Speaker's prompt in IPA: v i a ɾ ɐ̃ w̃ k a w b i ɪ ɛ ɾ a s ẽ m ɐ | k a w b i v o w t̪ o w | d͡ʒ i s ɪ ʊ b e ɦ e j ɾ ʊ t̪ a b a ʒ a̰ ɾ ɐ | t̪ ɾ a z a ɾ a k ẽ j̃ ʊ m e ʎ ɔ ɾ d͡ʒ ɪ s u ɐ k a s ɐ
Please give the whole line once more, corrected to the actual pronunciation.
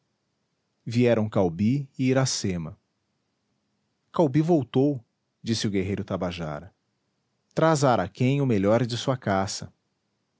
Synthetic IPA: v i ɛ ɾ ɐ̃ w̃ k a w b i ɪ i ɾ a s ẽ m ɐ | k a w b i v o w t̪ o w | d͡ʒ i s ɪ ʊ ɡ e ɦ e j ɾ ʊ t̪ a b a ʒ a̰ ɾ ɐ | t̪ ɾ a z a ɾ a k ẽ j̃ ʊ m e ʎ ɔ ɾ d͡ʒ ɪ s u ɐ k a s ɐ

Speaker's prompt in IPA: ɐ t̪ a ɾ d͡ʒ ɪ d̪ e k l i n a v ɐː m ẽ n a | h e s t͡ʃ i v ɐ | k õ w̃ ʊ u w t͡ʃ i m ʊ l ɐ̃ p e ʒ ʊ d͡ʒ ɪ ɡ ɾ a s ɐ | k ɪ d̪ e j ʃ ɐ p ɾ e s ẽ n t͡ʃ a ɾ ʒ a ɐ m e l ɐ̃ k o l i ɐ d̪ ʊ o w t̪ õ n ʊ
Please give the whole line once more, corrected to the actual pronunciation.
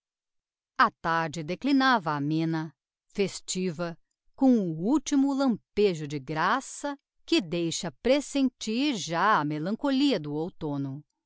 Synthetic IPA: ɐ t̪ a ɾ d͡ʒ ɪ d̪ e k l i n a v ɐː m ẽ n ɐ | f e s t͡ʃ i v ɐ | k õ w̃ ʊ u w t͡ʃ i m ʊ l ɐ̃ p e ʒ ʊ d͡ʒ ɪ ɡ ɾ a s ɐ | k ɪ d̪ e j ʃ ɐ p ɾ e s ẽ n t͡ʃ i ɾ ʒ a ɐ m e l ɐ̃ k o l i ɐ d̪ ʊ o w t̪ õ n ʊ

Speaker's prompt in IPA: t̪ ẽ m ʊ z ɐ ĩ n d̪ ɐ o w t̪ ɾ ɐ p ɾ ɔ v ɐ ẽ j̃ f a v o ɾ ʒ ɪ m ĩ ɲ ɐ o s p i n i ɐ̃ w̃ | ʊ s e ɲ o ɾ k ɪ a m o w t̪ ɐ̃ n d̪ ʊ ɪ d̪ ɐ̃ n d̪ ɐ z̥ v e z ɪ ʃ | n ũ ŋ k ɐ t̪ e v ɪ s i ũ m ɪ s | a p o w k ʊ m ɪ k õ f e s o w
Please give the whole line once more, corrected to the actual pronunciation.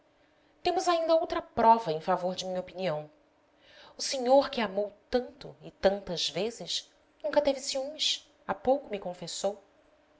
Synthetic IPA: t̪ ẽ m ʊ z a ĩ n d̪ ɐ o w t̪ ɾ ɐ p ɾ ɔ v ɐ ẽ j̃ f a v o ɾ d͡ʒ ɪ m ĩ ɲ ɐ o p i n i ɐ̃ w̃ | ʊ s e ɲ o ɾ k ɪ a m o w t̪ ɐ̃ n t̪ ʊ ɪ t̪ ɐ̃ n t̪ ɐ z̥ v e z ɪ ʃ | n ũ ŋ k ɐ t̪ e v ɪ s i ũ m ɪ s | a p o w k ʊ m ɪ k õ f e s o w

